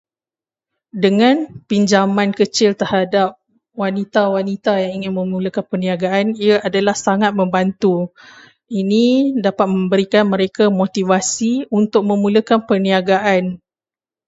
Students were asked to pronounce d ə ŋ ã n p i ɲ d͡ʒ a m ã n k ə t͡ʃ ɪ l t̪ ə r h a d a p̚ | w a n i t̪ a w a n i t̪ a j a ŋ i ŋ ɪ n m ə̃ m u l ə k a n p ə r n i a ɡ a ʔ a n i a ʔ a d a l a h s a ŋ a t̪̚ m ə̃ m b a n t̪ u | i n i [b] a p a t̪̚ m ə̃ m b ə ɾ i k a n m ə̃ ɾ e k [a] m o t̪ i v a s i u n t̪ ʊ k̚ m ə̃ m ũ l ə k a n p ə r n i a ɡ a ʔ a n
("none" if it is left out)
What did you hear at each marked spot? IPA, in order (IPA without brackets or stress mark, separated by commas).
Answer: d, a